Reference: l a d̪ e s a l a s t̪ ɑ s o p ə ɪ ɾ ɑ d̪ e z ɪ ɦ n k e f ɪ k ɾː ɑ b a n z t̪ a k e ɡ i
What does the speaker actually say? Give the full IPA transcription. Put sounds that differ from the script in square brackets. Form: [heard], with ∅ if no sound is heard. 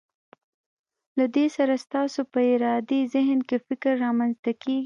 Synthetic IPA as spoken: l a d̪ e s a [ɾ] a s t̪ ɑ s o p ə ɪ ɾ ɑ d̪ e z ɪ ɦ n k e f ɪ k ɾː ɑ [m] a n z t̪ a k e ɡ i